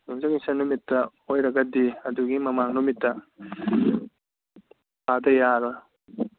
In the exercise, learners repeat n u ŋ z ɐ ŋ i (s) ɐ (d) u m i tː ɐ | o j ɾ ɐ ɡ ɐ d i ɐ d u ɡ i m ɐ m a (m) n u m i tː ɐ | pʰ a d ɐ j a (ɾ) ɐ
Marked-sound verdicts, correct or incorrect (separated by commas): correct, incorrect, incorrect, correct